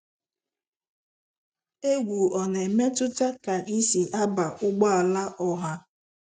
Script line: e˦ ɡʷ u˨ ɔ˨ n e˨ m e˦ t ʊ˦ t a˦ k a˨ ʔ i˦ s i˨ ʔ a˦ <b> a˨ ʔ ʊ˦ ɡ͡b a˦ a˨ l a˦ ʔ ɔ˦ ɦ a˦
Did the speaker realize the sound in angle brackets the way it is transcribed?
yes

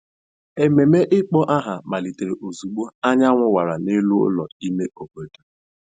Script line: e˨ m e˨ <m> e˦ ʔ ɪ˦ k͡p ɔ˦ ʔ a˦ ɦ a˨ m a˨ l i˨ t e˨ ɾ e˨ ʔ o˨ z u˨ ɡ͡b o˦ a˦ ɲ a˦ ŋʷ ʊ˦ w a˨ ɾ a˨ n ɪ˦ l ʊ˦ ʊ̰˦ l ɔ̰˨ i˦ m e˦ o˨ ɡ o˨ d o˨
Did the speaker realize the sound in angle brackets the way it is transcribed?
yes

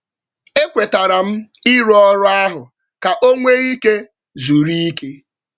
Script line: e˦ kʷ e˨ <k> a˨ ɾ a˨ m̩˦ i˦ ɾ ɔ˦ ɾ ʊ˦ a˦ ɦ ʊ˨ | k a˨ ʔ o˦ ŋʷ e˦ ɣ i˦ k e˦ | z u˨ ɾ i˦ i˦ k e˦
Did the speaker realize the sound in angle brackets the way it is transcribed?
no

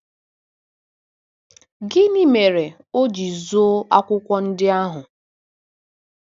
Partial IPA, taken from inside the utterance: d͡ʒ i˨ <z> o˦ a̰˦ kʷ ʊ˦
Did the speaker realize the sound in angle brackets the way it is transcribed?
yes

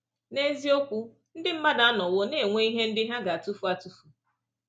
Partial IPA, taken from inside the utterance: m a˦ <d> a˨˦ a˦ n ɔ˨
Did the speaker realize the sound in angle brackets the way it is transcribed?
yes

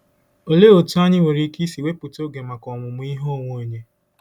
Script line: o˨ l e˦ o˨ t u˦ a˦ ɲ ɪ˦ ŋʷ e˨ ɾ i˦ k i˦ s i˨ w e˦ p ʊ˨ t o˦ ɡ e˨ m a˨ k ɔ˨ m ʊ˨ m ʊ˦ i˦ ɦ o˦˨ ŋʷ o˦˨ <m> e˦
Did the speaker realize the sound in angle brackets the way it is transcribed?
no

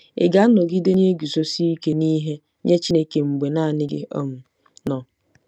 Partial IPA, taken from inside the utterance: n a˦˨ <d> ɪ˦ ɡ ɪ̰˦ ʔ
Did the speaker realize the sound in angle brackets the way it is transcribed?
no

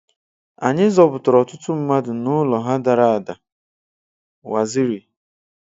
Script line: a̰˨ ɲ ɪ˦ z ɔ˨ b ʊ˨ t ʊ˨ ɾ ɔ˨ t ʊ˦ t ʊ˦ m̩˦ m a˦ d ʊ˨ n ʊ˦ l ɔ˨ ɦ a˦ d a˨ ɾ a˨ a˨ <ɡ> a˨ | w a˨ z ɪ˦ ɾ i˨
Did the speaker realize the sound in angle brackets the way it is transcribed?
no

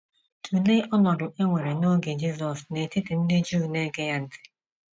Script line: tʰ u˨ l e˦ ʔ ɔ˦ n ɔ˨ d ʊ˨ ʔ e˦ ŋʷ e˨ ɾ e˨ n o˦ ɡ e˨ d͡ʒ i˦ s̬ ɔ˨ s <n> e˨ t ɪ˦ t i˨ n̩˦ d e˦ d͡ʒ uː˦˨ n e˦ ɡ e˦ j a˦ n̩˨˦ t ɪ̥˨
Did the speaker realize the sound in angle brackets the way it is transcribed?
yes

